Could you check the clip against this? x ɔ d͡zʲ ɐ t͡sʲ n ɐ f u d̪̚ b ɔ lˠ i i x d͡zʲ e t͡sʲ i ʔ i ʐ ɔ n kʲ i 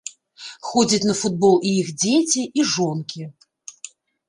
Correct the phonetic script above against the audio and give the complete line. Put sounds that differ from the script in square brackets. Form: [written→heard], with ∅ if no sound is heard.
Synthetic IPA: x ɔ d͡zʲ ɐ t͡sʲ n ɐ f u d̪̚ b ɔ lˠ i i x d͡zʲ e t͡sʲ i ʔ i ʐ ɔ n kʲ i